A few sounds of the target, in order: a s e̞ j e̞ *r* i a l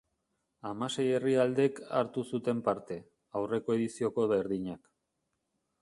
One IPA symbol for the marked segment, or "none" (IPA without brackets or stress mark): r